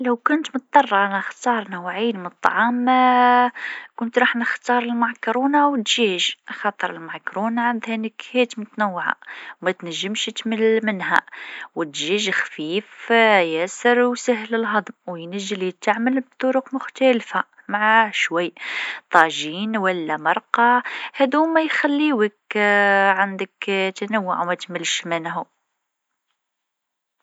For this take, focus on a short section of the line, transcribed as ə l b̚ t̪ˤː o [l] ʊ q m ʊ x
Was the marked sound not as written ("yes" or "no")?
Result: yes